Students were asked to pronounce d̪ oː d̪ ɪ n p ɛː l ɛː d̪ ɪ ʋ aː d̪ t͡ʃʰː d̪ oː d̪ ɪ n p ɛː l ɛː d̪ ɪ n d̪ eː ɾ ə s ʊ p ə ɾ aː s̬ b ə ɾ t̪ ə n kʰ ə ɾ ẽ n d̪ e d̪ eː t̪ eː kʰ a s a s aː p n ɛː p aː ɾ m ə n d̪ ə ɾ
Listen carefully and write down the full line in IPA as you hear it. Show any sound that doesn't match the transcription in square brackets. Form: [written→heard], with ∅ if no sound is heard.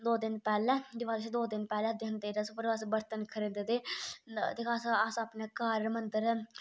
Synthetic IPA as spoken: d̪ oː d̪ ɪ n p ɛː l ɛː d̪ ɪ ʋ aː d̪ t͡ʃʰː d̪ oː d̪ ɪ n p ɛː l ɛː d̪ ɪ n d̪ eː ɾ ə s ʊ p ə ɾ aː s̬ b ə ɾ t̪ ə n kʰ ə ɾ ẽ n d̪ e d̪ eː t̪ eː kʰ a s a s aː p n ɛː [p→k] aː ɾ m ə n d̪ ə ɾ

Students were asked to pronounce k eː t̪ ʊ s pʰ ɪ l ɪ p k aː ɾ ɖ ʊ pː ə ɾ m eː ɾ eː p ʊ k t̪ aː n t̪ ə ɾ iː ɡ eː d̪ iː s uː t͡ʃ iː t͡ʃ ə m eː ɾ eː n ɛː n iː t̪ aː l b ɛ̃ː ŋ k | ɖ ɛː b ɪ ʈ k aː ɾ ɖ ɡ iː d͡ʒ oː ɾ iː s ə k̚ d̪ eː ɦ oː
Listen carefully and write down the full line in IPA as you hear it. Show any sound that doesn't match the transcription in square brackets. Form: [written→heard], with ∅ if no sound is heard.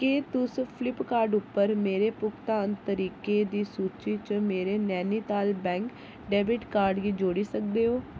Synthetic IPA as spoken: k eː t̪ ʊ s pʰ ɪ l ɪ p k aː ɾ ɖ ʊ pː ə ɾ m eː ɾ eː p ʊ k t̪ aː n t̪ ə ɾ iː [ɡ→k] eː d̪ iː s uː t͡ʃ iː t͡ʃ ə m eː ɾ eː n ɛː n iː t̪ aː l b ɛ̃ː ŋ k | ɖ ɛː b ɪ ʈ k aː ɾ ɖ ɡ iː d͡ʒ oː [ɾ→ɽ] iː s ə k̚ d̪ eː ɦ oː

